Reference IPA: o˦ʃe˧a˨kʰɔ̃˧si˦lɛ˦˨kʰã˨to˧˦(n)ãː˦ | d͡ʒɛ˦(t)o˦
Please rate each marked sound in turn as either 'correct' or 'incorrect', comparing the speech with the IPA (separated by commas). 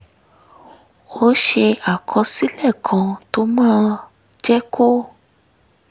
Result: incorrect, incorrect